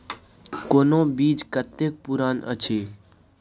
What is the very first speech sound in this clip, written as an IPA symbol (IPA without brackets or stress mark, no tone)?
k